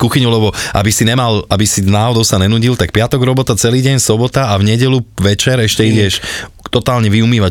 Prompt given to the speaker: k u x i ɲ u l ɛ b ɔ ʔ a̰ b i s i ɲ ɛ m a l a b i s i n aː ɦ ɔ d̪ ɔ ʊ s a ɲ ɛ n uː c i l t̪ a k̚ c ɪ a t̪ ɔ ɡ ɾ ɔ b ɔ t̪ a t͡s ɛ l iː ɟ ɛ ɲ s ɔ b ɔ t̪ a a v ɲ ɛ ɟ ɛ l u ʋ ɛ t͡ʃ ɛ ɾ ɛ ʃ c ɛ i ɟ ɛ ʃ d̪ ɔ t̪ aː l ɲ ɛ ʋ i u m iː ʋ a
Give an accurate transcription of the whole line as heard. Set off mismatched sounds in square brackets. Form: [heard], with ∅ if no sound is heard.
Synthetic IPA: k u x i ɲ u l ɛ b ɔ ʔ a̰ b i s i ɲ ɛ m a l a b i s i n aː ɦ ɔ d̪ ɔ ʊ s a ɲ ɛ n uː [ɟ] i l t̪ a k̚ [p] ɪ a t̪ ɔ ɡ ɾ ɔ b ɔ t̪ a t͡s ɛ l iː ɟ ɛ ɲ s ɔ b ɔ t̪ a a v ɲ ɛ ɟ ɛ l u ʋ ɛ t͡ʃ ɛ ɾ ɛ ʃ c ɛ i ɟ ɛ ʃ [t̪] ɔ t̪ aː l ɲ ɛ ʋ i u m iː ʋ a